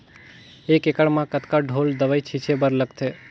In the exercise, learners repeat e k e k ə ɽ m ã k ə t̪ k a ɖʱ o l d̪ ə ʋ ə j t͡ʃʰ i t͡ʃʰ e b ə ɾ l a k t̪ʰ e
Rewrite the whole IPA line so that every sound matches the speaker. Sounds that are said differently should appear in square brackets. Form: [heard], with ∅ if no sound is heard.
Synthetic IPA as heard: e k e k ə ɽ m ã k ə t̪ k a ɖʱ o l d̪ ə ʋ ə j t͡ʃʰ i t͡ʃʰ e b ə ɾ l [ə] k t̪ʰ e